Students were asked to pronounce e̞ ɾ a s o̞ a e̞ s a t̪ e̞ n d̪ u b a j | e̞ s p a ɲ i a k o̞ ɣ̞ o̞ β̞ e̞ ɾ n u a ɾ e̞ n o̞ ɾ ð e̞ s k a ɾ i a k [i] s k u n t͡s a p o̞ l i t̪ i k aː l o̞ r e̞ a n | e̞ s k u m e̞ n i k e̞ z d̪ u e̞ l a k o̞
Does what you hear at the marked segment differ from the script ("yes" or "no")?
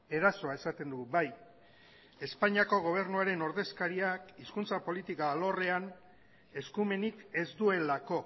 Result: no